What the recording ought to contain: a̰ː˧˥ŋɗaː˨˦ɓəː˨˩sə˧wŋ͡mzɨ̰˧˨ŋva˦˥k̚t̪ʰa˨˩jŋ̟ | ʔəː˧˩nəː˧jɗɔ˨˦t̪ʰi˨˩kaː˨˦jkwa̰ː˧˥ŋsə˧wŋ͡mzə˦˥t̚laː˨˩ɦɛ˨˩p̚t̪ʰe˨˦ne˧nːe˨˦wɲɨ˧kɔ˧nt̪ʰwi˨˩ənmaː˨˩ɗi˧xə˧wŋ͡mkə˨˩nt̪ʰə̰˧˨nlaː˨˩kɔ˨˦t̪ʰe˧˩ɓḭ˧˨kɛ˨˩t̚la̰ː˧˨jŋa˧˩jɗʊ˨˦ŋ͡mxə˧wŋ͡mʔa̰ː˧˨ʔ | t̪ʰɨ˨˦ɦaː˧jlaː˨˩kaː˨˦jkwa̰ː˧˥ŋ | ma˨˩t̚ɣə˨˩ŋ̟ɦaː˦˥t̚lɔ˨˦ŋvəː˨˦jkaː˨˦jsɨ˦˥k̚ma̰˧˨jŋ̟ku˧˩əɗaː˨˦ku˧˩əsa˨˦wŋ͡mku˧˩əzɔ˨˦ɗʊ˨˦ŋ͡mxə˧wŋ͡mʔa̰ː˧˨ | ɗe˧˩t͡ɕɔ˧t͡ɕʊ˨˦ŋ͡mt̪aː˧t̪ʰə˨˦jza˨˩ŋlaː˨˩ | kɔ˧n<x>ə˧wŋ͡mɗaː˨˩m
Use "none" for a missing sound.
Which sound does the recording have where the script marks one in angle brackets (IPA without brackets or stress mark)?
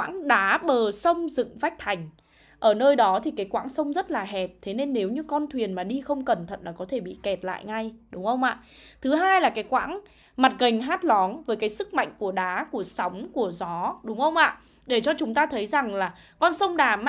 s